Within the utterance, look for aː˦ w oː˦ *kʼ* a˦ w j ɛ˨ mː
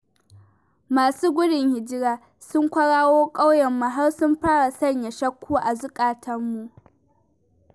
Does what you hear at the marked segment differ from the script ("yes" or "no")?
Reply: no